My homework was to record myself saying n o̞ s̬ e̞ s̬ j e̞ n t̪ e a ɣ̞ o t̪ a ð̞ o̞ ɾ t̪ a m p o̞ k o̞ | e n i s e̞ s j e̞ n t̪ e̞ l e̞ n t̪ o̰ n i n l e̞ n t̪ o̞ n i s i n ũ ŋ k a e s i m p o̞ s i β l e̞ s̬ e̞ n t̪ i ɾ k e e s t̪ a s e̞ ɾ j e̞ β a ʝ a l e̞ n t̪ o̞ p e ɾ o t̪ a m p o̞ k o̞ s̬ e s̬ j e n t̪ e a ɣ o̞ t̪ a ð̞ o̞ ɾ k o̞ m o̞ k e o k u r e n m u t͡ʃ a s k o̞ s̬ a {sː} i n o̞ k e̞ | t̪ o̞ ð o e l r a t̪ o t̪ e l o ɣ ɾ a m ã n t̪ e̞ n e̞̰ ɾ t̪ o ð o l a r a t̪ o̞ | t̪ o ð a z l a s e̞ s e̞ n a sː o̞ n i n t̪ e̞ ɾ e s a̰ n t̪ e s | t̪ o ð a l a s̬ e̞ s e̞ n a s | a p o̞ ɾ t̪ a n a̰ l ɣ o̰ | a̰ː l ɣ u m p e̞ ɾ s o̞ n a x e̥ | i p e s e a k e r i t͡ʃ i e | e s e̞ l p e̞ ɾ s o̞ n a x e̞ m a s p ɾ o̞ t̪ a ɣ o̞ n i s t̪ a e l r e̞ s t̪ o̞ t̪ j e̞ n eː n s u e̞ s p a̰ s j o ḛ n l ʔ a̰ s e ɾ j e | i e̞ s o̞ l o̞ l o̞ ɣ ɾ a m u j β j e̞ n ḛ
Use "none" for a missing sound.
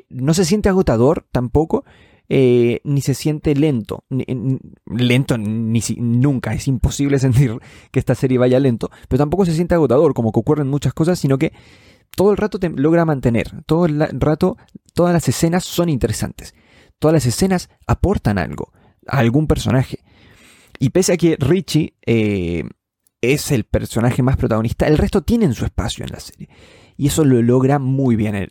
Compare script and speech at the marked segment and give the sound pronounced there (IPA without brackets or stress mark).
sː